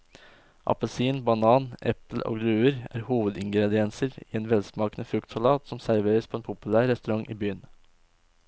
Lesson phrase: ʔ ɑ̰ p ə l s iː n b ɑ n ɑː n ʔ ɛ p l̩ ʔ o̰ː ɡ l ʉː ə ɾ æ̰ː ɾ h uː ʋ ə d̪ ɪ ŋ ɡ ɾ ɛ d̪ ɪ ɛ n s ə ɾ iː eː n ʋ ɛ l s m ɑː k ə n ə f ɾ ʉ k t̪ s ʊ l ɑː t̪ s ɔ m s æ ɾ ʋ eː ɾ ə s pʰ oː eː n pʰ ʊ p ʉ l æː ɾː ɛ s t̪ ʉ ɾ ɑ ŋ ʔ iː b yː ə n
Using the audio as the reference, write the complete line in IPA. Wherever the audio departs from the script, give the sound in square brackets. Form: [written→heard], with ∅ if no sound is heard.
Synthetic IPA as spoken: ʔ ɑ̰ p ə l s iː n b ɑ n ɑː n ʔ ɛ p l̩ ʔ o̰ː ɡ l ʉː ə ɾ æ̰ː ɾ h uː ʋ ə d̪ ɪ ŋ ɡ ɾ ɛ d̪ ɪ ɛ n s ə ɾ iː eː n ʋ ɛ l s m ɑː k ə n ə f ɾ ʉ k t̪ s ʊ l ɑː t̪ s ɔ m s æ ɾ ʋ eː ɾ ə s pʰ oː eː n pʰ ʊ p ʉ l æː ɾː ɛ s t̪ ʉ ɾ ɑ ŋ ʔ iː b yː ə n

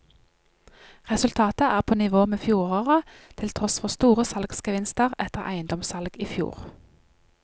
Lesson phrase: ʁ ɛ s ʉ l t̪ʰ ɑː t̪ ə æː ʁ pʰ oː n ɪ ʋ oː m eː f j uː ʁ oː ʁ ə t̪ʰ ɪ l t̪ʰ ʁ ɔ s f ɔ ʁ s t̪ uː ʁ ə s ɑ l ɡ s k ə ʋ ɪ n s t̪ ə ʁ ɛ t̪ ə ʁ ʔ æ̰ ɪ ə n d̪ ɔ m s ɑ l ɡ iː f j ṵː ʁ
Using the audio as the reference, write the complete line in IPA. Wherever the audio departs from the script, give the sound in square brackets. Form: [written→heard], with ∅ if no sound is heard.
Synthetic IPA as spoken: ʁ ɛ s ʉ l t̪ʰ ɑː t̪ ə æː ʁ pʰ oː n ɪ ʋ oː m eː f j uː ʁ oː ʁ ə t̪ʰ ɪ l t̪ʰ ʁ ɔ s f ɔ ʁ s t̪ uː ʁ ə s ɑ l ɡ s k ə ʋ ɪ n s t̪ ə ʁ ɛ t̪ ə ʁ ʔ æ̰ ɪ ə n d̪ ɔ m s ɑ l ɡ iː f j ṵː ʁ

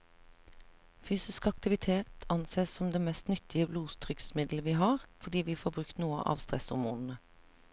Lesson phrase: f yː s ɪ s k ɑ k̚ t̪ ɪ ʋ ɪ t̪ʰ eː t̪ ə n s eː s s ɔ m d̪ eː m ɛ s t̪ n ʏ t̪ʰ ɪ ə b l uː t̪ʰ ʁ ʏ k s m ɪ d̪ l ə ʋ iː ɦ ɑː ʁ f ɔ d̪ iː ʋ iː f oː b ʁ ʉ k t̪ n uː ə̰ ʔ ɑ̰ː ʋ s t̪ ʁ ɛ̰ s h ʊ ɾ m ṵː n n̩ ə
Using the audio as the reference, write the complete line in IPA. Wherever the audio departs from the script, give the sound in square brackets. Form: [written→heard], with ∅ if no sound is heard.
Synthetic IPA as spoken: f yː s ɪ s k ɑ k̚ t̪ ɪ ʋ ɪ t̪ʰ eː t̪ [ə→ɑ] n s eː s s ɔ m d̪ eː m ɛ s t̪ n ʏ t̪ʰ ɪ ə b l uː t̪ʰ ʁ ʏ k s m ɪ d̪ l ə ʋ iː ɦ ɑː ʁ f ɔ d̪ iː ʋ iː f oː b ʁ ʉ k t̪ n uː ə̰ ʔ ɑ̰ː ʋ s t̪ ʁ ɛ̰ s h ʊ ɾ m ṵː n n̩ ə

